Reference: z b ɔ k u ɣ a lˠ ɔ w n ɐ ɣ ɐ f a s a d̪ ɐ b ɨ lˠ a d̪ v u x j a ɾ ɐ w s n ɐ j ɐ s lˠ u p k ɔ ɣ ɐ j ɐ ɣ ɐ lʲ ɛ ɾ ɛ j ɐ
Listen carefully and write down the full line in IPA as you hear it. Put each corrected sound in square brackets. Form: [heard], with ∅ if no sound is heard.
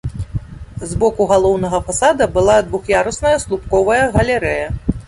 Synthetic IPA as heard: z b ɔ k u ɣ a lˠ ɔ w n ɐ ɣ ɐ f a s a d̪ ɐ b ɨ lˠ a d̪ v u x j a ɾ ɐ [∅] s n ɐ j ɐ s lˠ u p k ɔ [v] ɐ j ɐ ɣ ɐ lʲ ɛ ɾ ɛ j ɐ